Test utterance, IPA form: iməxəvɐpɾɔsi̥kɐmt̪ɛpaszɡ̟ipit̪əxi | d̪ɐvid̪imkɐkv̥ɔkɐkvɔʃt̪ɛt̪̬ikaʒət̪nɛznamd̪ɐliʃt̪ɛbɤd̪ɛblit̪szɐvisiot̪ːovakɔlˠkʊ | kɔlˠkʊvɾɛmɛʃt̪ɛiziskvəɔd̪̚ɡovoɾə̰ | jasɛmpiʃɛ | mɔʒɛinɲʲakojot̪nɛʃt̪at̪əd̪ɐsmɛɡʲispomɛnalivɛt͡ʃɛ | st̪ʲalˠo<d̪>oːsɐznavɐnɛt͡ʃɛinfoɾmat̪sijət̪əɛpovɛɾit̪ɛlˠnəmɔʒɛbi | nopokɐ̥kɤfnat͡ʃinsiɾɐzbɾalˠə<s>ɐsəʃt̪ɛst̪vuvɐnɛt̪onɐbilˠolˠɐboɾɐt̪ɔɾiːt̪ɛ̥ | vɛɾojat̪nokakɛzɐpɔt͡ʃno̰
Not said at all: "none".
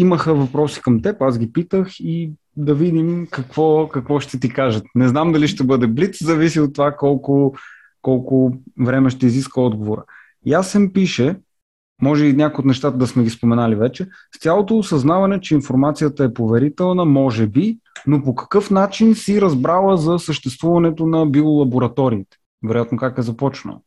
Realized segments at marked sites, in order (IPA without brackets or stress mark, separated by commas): t̪, z